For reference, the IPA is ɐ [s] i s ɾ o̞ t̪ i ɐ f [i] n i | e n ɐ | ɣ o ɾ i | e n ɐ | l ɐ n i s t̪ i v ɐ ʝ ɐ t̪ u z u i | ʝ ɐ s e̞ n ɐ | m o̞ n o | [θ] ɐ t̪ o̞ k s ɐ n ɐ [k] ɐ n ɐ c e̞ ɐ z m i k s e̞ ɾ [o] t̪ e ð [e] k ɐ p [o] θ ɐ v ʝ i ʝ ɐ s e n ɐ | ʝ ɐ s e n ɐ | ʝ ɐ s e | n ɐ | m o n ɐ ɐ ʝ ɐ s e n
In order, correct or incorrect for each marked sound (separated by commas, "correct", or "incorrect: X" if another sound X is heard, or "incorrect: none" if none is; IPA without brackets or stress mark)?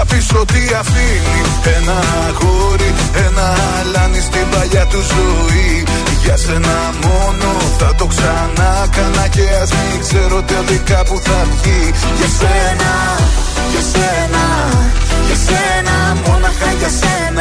incorrect: f, correct, correct, correct, correct, incorrect: i, incorrect: u